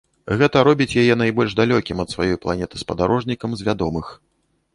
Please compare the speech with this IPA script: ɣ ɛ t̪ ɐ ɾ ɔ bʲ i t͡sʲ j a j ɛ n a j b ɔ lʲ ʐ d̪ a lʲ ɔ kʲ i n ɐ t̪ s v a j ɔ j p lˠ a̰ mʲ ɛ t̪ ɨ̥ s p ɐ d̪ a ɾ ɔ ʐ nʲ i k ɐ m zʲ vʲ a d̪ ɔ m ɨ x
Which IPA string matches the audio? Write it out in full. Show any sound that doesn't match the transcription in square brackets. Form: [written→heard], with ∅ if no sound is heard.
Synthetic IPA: ɣ ɛ t̪ ɐ ɾ ɔ bʲ i t͡sʲ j a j ɛ n a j b ɔ lʲ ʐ d̪ a lʲ ɔ kʲ i [n→m] ɐ t̪ s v a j ɔ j p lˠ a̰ [mʲ→nʲ] ɛ t̪ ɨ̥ s p ɐ d̪ a ɾ ɔ ʐ nʲ i k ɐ m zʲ vʲ a d̪ ɔ m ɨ x